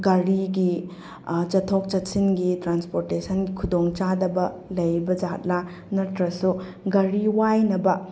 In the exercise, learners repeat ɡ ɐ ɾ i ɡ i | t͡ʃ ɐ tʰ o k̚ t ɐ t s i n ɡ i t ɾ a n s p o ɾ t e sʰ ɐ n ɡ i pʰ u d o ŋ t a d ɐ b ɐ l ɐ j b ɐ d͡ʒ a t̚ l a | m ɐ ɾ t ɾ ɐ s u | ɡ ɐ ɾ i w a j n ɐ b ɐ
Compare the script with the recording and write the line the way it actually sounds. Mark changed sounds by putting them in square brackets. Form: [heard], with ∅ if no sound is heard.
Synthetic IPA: ɡ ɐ ɾ i ɡ i | t͡ʃ ɐ tʰ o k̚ [t͡ʃ] ɐ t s i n ɡ i t ɾ a n s p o ɾ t e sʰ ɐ n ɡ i [kʰ] u d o ŋ [t͡ʃ] a d ɐ b ɐ l ɐ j b ɐ d͡ʒ a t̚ l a | [n] ɐ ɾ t ɾ ɐ s u | ɡ ɐ ɾ i w a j n ɐ b ɐ